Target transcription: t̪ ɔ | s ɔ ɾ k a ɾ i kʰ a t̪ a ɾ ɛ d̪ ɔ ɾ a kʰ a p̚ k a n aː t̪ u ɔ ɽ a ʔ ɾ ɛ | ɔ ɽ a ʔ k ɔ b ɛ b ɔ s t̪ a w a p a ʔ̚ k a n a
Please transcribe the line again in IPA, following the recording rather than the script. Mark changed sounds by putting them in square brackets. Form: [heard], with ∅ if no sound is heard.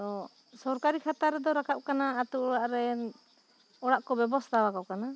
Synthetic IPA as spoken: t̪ ɔ | s ɔ ɾ k a ɾ i kʰ a t̪ a ɾ ɛ d̪ ɔ ɾ a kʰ a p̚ k a n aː t̪ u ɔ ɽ a ʔ ɾ ɛ | ɔ ɽ a ʔ k ɔ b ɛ b ɔ s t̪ a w a [k] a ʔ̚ k a n a

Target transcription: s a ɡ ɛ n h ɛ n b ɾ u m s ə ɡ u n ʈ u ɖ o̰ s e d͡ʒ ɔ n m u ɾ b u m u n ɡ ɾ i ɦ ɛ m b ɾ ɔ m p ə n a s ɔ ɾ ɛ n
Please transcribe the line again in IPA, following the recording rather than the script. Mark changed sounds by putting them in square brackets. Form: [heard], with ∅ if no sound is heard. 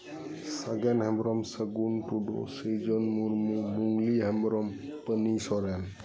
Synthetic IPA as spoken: s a ɡ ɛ n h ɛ [m] b ɾ [ɔ] m s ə ɡ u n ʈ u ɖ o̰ s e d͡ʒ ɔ n m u ɾ [m] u m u [ŋ] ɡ [l] i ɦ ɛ m b ɾ ɔ m p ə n [i] s ɔ ɾ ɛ n

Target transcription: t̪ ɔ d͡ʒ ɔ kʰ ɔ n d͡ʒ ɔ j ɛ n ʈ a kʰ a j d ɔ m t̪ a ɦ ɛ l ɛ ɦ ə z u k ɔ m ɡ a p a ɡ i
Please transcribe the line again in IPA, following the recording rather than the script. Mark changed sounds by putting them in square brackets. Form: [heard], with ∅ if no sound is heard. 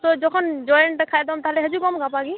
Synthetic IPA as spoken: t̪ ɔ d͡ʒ ɔ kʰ ɔ n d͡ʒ ɔ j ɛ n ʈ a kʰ a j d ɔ m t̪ a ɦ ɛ l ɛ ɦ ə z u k ɔ m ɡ a p a ɡ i

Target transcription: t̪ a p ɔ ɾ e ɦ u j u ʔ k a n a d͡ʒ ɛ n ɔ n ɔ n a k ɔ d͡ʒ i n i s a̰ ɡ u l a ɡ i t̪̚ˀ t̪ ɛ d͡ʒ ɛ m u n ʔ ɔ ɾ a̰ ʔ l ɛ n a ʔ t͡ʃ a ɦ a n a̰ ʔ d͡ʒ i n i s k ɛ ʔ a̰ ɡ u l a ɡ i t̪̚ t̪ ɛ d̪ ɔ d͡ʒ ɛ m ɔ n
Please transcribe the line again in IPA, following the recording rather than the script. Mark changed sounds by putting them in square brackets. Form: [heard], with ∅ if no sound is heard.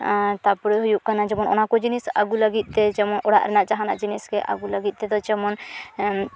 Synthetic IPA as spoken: t̪ a p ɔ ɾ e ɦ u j u ʔ k a n a d͡ʒ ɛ [m] ɔ n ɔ n a k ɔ d͡ʒ i n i s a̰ ɡ u l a ɡ i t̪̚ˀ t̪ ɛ d͡ʒ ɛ m [ɔ] n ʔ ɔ [ɽ] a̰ ʔ [ɾ] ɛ n a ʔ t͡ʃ a ɦ a n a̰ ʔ d͡ʒ i n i s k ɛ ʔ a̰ ɡ u l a ɡ i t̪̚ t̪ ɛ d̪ ɔ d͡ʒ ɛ m ɔ n

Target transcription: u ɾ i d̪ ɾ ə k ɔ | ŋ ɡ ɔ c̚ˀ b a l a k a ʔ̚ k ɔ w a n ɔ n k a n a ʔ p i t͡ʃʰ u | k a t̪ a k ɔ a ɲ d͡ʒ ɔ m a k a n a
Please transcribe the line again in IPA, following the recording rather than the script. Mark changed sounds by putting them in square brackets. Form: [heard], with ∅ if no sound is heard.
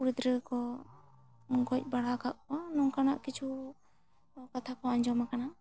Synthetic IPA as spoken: u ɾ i d̪ ɾ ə k ɔ | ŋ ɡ ɔ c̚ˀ b a [ɽ] a k a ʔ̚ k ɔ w a n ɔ [ŋ] k a n a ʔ [k] i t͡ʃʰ u | k a [t̪ʰ] a k ɔ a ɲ d͡ʒ ɔ m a k a n a

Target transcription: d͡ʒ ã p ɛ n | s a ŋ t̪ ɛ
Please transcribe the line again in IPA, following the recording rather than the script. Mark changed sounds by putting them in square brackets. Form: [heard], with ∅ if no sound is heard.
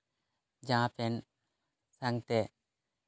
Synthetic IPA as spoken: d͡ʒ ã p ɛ n | s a ŋ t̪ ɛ

